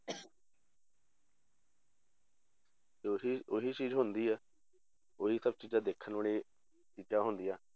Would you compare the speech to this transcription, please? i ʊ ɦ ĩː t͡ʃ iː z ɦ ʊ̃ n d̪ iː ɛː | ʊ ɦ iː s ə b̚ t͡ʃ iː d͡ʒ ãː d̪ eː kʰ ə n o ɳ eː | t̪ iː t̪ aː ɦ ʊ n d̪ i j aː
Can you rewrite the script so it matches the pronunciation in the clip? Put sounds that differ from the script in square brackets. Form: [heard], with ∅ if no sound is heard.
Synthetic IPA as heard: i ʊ ɦ [iː] t͡ʃ iː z ɦ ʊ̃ n d̪ iː ɛː | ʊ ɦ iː s ə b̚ t͡ʃ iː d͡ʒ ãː d̪ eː kʰ ə n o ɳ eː | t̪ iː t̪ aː ɦ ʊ n d̪ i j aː